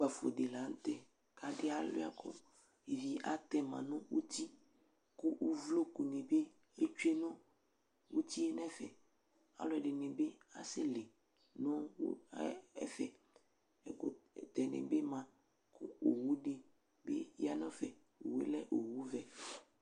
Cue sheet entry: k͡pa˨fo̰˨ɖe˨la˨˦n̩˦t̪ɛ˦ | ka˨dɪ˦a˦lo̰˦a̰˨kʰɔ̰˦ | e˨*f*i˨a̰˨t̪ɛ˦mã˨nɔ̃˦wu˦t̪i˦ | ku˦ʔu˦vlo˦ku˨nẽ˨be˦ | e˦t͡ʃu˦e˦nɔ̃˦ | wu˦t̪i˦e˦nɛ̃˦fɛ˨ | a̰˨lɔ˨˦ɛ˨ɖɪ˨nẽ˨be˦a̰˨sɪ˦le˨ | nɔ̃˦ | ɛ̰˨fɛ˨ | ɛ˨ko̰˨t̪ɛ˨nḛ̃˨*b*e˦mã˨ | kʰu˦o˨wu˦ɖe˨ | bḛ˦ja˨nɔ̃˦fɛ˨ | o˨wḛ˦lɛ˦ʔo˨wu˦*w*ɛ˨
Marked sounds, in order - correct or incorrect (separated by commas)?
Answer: incorrect, correct, incorrect